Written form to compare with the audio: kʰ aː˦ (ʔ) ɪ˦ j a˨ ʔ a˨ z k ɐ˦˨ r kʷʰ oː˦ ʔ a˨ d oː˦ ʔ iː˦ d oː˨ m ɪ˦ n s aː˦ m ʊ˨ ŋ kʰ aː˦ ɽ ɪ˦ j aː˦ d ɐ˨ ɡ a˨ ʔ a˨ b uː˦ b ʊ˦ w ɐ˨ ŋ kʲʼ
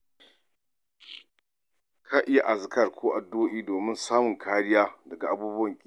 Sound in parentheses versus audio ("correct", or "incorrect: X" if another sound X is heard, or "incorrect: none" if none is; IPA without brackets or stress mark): correct